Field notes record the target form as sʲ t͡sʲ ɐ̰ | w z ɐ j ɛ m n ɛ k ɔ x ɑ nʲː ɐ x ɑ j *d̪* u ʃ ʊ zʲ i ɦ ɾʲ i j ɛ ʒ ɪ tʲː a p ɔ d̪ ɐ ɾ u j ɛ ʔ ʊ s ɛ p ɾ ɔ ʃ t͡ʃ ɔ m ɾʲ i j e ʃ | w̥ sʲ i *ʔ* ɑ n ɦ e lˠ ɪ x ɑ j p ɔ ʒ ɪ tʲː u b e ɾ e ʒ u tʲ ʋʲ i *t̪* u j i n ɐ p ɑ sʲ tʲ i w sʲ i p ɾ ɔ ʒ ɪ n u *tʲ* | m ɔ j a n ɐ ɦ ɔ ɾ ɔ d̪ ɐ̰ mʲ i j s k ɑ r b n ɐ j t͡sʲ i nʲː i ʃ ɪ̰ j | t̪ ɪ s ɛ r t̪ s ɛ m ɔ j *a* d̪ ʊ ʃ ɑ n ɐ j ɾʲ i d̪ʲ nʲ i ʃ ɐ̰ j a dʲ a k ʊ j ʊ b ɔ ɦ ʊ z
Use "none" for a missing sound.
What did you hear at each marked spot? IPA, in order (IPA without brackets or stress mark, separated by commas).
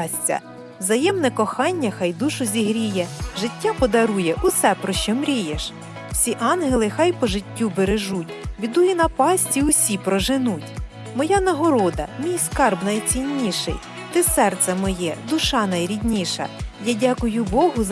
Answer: d̪, ʔ, d̪, tʲ, ɛ